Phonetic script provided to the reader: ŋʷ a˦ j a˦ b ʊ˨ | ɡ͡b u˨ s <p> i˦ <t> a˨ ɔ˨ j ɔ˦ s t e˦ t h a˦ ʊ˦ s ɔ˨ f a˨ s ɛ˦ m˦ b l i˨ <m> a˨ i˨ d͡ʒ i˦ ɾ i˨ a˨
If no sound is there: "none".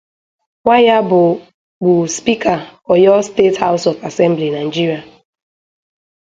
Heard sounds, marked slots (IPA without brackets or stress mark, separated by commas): p, k, n